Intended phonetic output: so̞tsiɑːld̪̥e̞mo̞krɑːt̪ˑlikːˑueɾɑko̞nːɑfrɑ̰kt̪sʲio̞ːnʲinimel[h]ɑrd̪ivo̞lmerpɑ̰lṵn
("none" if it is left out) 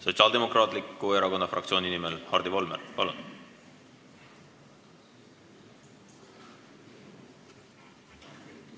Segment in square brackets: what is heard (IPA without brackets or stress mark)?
h